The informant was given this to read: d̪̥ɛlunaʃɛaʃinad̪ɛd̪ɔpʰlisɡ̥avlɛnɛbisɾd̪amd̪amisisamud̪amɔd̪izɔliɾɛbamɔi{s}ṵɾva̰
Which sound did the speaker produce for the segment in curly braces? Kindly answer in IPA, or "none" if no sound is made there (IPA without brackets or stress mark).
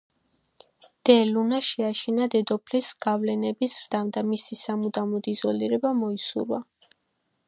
s